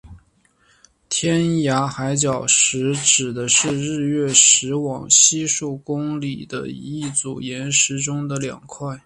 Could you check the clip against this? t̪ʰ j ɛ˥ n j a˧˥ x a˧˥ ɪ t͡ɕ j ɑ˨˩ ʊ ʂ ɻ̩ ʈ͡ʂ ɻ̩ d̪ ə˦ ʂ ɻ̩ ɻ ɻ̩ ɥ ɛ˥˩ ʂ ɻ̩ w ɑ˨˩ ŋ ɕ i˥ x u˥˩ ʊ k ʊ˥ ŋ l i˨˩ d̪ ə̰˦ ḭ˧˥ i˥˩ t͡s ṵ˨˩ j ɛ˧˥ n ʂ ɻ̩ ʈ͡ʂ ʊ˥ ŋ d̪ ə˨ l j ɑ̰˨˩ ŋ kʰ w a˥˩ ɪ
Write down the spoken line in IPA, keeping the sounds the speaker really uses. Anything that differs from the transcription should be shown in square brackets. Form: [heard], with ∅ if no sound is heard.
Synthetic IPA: t̪ʰ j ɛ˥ n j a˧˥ x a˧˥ ɪ t͡ɕ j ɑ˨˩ ʊ ʂ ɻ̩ ʈ͡ʂ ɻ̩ d̪ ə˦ ʂ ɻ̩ ɻ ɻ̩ ɥ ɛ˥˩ ʂ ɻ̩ w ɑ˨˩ ŋ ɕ i˥ [ʂ] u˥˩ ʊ k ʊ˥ ŋ l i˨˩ d̪ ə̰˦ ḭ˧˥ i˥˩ t͡s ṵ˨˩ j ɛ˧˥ n ʂ ɻ̩ ʈ͡ʂ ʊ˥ ŋ d̪ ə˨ l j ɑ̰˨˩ ŋ kʰ w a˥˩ ɪ